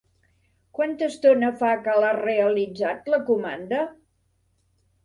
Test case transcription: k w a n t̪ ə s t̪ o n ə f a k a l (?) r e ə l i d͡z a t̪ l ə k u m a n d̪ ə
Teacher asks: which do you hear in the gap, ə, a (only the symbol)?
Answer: a